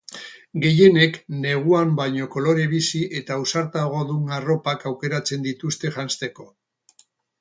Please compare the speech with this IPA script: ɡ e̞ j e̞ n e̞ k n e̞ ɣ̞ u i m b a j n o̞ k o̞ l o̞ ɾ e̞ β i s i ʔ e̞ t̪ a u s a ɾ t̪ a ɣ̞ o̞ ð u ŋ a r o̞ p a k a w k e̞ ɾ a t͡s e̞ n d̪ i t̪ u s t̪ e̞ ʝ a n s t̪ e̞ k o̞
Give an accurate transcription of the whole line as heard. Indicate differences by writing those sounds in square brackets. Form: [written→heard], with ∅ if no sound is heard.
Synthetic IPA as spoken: ɡ e̞ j e̞ n e̞ k n e̞ ɣ̞ u [i→a] m b a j [n→ɲ] o̞ k o̞ l o̞ ɾ e̞ β i s i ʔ e̞ t̪ a u s a ɾ t̪ a ɣ̞ o̞ ð u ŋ a r o̞ p a k a w k e̞ ɾ a t͡s e̞ n d̪ i t̪ u s t̪ e̞ ʝ a n s t̪ e̞ k o̞